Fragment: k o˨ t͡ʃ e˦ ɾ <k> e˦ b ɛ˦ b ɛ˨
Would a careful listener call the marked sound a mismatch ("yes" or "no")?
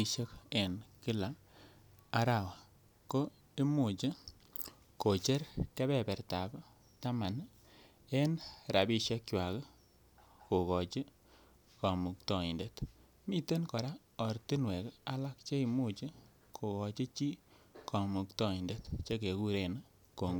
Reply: no